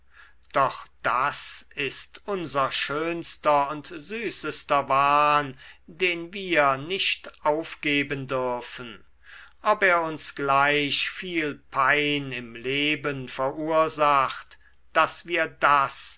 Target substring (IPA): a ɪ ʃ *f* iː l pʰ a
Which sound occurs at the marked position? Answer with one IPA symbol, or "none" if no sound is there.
f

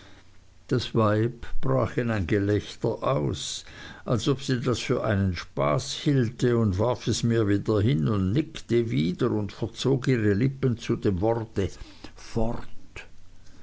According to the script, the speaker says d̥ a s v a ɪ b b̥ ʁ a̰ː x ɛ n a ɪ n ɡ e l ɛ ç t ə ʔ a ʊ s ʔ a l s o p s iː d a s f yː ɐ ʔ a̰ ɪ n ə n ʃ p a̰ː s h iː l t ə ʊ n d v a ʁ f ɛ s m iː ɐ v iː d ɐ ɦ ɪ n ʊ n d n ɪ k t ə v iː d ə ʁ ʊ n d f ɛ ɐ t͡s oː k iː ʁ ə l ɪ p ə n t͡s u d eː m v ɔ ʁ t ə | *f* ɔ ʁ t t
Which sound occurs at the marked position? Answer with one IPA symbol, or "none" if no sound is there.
f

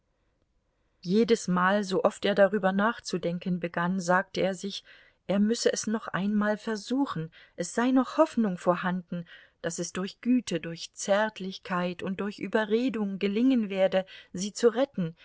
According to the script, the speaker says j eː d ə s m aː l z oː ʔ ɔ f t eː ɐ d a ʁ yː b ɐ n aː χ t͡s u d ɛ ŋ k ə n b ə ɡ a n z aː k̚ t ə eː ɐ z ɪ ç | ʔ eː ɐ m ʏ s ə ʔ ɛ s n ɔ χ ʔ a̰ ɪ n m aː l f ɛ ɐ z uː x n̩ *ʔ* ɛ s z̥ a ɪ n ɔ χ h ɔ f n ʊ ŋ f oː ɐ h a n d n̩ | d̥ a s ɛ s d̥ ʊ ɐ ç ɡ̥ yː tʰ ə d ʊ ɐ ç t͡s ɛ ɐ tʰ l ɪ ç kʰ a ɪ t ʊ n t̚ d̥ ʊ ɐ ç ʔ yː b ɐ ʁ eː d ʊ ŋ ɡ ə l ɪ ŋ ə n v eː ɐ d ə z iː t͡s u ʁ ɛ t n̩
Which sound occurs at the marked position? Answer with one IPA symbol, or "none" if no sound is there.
ʔ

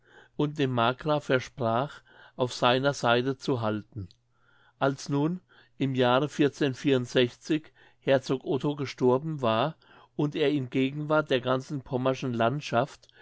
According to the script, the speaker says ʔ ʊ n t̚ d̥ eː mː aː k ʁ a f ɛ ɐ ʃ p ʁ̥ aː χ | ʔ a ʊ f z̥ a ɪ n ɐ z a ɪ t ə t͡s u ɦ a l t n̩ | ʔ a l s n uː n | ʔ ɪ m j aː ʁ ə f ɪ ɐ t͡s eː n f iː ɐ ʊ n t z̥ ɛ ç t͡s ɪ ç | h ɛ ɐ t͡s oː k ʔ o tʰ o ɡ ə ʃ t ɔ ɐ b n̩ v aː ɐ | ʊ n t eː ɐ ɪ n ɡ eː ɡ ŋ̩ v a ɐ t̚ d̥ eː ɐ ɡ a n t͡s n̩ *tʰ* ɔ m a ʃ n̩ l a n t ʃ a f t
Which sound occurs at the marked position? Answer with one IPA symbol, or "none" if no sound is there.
pʰ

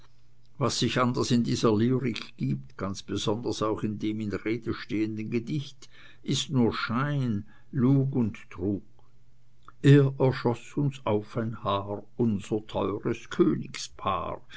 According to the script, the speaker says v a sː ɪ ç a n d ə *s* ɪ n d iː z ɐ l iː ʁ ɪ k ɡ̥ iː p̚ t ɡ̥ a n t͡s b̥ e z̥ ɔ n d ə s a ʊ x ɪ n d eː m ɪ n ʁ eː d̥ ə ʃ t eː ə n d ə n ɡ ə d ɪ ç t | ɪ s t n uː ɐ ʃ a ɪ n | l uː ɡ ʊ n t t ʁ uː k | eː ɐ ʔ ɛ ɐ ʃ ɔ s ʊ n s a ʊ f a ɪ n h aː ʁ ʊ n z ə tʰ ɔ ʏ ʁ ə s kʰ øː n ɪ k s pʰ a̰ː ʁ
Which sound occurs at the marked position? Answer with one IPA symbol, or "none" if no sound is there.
s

